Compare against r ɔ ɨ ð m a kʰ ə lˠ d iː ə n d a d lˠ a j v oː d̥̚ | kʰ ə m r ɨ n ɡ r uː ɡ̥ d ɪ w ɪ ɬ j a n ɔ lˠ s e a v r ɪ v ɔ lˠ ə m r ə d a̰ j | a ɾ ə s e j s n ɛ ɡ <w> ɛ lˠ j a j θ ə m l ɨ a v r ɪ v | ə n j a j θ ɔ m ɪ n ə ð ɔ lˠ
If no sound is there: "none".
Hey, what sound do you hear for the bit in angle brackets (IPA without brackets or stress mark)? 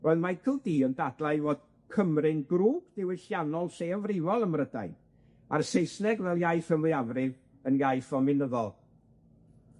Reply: v